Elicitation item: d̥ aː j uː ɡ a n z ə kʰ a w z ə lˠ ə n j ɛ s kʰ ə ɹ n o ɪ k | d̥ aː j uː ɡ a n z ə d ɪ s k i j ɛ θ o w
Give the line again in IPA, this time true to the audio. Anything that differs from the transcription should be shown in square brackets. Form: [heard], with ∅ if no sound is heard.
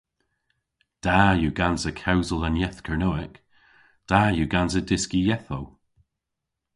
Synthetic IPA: d̥ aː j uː ɡ a n z ə kʰ a w z ə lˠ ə n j ɛ [θ] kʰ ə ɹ n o ɪ k | d̥ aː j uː ɡ a n z ə d ɪ s k i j ɛ θ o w